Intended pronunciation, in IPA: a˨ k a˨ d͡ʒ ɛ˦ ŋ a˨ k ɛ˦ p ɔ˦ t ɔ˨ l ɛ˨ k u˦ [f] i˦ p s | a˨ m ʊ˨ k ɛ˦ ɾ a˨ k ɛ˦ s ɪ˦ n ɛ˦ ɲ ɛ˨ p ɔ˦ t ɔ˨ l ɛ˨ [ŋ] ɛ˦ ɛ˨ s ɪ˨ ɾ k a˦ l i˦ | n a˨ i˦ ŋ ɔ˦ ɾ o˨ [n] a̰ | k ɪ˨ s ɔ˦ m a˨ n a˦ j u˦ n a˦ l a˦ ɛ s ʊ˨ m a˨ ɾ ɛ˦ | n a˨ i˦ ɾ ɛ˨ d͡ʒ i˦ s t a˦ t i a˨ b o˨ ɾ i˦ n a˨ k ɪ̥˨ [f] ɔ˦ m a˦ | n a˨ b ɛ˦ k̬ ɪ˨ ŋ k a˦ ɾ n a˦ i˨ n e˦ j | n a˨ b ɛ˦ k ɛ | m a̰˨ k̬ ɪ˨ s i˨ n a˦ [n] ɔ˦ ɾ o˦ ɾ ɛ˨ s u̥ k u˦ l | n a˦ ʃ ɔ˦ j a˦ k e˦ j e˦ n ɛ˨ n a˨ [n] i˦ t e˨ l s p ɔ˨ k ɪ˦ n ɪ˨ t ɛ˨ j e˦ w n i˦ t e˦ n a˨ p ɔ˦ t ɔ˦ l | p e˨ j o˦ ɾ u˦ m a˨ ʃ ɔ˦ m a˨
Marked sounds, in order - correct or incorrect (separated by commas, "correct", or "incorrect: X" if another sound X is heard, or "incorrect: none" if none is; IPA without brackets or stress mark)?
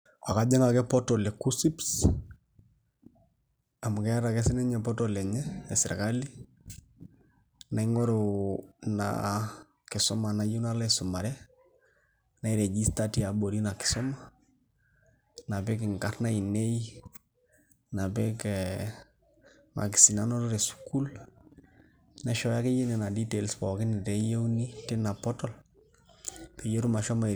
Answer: incorrect: s, incorrect: ɲ, correct, incorrect: s, correct, incorrect: d